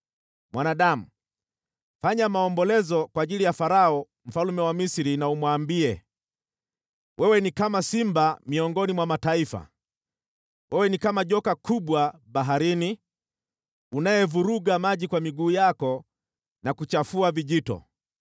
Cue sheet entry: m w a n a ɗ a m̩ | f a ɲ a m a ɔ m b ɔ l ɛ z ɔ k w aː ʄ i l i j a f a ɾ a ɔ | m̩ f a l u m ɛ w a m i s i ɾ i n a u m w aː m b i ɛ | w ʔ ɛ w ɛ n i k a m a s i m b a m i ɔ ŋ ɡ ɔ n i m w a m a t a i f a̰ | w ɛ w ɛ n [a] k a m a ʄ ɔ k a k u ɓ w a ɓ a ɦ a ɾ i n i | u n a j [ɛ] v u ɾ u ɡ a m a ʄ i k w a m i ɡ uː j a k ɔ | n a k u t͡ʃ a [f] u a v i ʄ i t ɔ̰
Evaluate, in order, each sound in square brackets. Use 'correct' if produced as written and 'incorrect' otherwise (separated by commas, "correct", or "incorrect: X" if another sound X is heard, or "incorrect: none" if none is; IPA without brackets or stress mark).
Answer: incorrect: i, correct, correct